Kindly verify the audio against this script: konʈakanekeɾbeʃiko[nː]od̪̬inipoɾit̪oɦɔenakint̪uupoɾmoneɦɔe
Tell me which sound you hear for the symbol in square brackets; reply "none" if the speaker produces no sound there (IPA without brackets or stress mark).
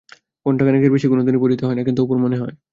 n